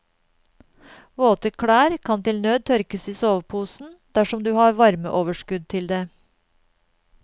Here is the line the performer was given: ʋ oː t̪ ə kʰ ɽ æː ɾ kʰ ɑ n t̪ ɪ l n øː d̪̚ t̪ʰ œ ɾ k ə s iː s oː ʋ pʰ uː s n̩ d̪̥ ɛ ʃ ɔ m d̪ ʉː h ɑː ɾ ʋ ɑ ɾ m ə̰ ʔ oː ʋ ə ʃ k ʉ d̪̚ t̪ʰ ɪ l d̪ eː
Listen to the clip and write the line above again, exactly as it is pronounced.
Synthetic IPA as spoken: ʋ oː t̪ ə kʰ ɽ æː ɾ kʰ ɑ n t̪ ɪ l n øː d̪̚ t̪ʰ œ ɾ k ə s iː s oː ʋ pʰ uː s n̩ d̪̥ æ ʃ ɔ m d̪ ʉː h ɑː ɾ ʋ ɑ ɾ m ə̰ ʔ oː ʋ ə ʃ k ʉ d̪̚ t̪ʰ ɪ l d̪ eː